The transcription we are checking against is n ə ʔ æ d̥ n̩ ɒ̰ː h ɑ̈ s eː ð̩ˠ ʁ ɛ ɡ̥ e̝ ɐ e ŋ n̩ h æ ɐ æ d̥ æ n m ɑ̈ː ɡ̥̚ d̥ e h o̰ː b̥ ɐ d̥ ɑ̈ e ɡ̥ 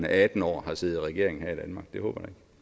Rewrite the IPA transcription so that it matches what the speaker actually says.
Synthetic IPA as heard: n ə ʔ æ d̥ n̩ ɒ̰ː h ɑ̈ s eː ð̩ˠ ʁ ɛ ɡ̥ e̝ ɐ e ŋ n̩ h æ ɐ i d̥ æ n m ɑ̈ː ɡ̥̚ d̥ e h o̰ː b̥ ɐ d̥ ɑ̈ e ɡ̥